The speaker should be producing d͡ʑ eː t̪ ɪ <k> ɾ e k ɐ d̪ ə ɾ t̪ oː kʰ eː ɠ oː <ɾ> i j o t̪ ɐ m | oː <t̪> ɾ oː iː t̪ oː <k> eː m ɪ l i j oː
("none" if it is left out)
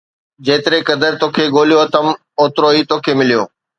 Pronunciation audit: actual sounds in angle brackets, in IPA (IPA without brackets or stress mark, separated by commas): none, l, t̪, kʰ